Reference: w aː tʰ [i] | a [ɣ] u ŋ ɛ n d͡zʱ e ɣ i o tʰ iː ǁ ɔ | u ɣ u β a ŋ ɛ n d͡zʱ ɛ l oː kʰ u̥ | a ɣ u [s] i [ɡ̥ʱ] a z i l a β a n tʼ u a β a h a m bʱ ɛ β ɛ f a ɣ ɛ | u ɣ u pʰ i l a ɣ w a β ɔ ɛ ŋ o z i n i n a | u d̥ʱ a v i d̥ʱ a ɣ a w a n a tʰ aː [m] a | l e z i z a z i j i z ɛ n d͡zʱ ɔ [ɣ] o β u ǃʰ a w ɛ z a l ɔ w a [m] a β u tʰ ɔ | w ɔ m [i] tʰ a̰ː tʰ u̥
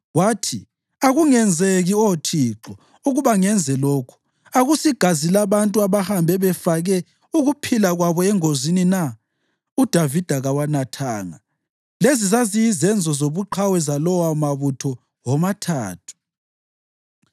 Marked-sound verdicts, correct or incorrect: correct, correct, correct, correct, incorrect, incorrect, correct, incorrect

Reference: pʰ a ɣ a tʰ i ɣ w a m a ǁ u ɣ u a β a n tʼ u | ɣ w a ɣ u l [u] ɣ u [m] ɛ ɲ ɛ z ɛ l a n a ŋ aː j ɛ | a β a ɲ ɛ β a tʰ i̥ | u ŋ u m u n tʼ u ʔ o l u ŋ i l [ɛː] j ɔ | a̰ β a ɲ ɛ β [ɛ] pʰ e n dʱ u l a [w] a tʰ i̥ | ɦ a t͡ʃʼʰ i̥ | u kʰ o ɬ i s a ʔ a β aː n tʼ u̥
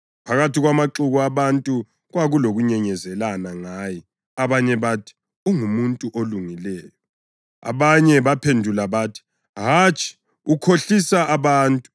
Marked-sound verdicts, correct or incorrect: incorrect, incorrect, correct, incorrect, incorrect

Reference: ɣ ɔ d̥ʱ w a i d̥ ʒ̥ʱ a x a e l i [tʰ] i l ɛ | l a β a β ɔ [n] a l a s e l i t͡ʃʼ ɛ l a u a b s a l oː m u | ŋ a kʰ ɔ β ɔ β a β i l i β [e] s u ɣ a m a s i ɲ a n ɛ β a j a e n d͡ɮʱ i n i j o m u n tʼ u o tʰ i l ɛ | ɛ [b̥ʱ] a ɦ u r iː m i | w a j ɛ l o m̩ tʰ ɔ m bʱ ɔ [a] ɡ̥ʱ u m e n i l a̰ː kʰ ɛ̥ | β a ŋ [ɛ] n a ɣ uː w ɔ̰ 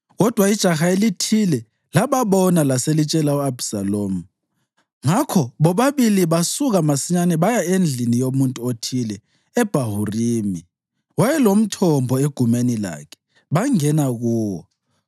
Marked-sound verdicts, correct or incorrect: correct, correct, incorrect, correct, incorrect, correct

